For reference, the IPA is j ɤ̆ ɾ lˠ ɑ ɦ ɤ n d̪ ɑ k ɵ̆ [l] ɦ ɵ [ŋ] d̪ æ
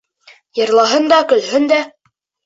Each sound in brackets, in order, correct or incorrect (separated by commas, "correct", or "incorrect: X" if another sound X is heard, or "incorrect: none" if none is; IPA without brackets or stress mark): correct, incorrect: n